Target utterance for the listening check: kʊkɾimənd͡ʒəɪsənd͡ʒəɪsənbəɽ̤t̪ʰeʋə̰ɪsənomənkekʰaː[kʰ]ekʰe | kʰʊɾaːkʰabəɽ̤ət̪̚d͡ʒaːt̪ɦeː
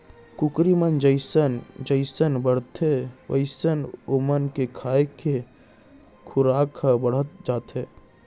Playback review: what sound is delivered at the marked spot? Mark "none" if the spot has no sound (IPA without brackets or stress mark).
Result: none